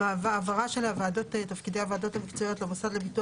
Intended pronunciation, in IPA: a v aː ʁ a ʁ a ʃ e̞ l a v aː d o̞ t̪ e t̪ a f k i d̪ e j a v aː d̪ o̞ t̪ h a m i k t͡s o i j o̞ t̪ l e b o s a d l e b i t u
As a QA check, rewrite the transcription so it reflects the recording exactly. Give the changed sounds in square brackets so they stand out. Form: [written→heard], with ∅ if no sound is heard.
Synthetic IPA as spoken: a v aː [ʁ→v] a ʁ a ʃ e̞ l a v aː d o̞ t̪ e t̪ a f k i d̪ e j a v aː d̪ o̞ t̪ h a m i k t͡s o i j o̞ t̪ l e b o s a d l e b i t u